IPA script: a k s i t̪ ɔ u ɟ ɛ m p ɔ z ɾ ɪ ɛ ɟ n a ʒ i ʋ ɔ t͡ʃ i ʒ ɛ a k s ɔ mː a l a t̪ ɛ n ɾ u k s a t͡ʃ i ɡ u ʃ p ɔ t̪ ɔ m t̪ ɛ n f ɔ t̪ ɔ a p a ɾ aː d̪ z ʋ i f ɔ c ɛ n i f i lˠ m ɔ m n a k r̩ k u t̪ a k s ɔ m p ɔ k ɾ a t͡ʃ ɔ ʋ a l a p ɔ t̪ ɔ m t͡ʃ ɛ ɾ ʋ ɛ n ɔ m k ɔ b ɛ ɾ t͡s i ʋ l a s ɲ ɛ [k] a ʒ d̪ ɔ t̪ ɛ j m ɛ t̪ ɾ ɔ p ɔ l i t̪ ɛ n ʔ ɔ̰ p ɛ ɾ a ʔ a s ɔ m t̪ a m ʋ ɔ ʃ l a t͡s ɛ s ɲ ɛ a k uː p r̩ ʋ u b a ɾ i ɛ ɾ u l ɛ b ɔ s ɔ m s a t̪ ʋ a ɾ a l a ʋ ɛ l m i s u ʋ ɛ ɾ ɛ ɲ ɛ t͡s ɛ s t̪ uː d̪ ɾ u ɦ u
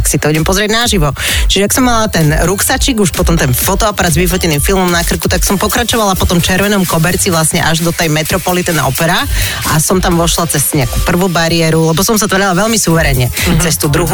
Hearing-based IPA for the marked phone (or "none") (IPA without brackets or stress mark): ʔ